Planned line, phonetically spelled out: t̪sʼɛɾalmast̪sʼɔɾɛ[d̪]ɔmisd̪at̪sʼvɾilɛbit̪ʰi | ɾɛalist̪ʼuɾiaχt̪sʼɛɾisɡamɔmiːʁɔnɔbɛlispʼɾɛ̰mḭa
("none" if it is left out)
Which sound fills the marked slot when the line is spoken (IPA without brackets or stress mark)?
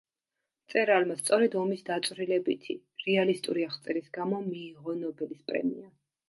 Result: d̪